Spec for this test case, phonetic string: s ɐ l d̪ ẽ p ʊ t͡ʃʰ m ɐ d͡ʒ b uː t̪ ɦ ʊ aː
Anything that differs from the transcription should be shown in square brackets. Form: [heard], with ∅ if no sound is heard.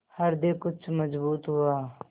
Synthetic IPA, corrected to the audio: [h] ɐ [ɾ] d̪ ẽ [k] ʊ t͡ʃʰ m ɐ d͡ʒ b uː t̪ ɦ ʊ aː